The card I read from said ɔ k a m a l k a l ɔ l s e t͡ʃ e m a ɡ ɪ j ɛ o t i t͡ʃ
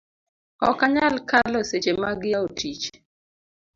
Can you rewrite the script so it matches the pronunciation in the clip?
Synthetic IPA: ɔ k a ɲ a l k a l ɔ s e t͡ʃ e m a ɡ ɪ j a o t i t͡ʃ

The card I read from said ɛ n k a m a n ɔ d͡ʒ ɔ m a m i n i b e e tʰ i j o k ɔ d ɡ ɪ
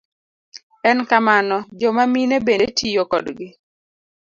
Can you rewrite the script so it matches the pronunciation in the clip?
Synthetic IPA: ɛ n k a m a n ɔ d͡ʒ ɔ m a m i n e b e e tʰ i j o k ɔ d ɡ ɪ

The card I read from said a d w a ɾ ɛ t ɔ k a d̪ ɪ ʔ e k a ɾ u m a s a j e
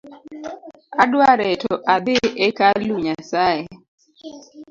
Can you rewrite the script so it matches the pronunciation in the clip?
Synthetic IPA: a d w a ɾ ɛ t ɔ ʔ a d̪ ɪ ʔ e k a l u ɲ a s a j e

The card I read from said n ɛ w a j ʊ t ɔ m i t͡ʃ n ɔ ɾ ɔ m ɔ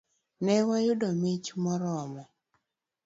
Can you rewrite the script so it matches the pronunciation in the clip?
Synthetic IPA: n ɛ w a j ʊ d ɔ m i t͡ʃ m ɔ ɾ ɔ m ɔ

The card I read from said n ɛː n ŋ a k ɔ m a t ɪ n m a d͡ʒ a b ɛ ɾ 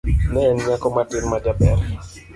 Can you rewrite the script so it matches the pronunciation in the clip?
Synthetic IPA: n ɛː n ɲ a k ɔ m a t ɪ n m a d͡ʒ a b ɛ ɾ

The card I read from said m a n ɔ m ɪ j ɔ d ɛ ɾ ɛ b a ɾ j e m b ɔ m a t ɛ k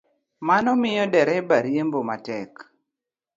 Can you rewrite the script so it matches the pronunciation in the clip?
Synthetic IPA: m a n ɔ m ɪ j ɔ d ɛ ɾ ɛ b a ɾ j e m b o m a t ɛ k

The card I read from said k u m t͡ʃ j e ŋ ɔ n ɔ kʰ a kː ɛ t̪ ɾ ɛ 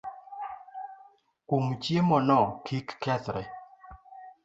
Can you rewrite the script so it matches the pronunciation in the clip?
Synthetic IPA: k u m t͡ʃ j e m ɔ n ɔ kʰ i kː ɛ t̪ ɾ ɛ

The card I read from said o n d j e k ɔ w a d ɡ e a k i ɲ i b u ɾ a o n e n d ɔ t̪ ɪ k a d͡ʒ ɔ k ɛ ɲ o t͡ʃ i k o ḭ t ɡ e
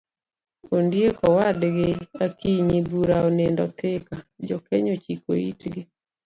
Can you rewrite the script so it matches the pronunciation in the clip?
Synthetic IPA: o n d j e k ɔ w a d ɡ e a k i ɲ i b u ɾ a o n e n d ɔ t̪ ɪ k a d͡ʒ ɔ k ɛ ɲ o t͡ʃ i k o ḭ t ɡ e

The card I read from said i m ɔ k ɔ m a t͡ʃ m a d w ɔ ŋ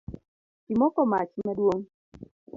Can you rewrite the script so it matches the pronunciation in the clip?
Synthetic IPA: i m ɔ k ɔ m a t͡ʃ m a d w o ŋ

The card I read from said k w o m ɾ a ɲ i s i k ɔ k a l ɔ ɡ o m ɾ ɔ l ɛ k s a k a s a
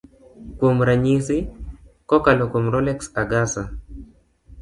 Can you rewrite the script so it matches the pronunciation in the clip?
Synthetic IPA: k w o m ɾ a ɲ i s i k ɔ k a l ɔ k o m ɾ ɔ l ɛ k s a ɡ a s a

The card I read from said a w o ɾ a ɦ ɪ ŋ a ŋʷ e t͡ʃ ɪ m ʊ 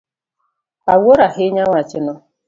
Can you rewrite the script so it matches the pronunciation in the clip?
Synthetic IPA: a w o ɾ a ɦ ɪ ɲ a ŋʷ a t͡ʃ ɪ n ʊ

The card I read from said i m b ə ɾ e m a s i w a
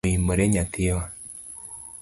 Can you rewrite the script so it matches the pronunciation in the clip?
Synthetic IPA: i m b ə ɾ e ɲ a t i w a

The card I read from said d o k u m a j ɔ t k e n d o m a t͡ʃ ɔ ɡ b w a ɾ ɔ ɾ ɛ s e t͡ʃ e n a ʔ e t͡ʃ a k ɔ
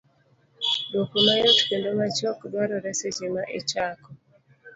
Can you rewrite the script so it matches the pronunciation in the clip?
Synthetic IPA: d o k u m a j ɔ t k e n d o m a t͡ʃ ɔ k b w a ɾ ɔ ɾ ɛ s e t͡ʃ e m a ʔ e t͡ʃ a k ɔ

